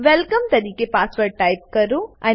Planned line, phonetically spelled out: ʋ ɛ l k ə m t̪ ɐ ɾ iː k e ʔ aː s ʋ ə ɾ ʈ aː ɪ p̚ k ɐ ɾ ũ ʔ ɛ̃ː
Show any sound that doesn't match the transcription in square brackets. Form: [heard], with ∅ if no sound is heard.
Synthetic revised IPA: ʋ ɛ l k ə m t̪ ɐ ɾ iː k e [p] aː s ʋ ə ɾ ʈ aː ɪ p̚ k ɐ ɾ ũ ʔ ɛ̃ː